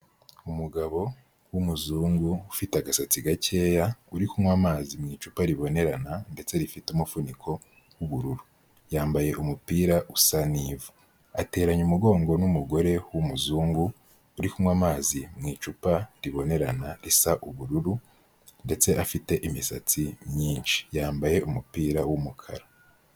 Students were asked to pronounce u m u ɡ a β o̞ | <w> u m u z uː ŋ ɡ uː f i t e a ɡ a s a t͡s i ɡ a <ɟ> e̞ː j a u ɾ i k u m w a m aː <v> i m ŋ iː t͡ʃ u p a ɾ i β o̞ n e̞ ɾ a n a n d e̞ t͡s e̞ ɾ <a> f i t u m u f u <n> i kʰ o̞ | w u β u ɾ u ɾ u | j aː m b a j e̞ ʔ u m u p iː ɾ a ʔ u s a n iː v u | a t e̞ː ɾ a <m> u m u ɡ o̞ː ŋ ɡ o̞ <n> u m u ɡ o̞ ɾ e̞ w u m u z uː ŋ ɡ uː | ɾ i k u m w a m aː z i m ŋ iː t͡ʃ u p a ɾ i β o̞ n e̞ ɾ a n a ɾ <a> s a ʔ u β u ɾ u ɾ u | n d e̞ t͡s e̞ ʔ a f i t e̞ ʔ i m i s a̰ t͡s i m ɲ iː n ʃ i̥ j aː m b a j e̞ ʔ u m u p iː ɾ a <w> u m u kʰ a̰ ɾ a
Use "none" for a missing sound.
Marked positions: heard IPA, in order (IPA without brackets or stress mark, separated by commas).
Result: w, c, z, i, n, ɲ, n, i, w